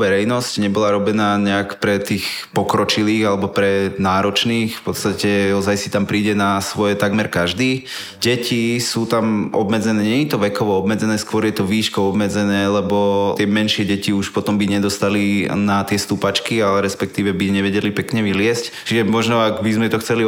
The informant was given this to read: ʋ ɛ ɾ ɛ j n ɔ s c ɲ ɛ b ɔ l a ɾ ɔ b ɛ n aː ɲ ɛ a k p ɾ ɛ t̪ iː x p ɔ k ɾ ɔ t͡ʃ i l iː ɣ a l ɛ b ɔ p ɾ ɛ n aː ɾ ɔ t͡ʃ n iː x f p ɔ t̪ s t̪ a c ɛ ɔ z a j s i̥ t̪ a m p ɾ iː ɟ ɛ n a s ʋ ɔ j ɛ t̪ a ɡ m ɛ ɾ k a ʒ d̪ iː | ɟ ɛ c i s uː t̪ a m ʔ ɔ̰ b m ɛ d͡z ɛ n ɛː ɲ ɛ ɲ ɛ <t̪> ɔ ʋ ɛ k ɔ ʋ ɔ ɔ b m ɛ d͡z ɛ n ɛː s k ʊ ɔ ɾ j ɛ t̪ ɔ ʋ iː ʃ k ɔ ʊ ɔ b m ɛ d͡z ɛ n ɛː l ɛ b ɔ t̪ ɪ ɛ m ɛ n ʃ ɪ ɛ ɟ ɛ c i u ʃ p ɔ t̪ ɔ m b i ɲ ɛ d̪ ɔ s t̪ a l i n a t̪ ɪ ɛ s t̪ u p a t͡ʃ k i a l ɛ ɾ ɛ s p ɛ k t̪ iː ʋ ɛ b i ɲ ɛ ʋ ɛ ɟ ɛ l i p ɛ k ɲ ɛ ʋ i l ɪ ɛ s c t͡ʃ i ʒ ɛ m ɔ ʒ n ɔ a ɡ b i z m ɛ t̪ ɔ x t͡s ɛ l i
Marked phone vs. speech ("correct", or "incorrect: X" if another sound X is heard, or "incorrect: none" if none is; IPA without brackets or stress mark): correct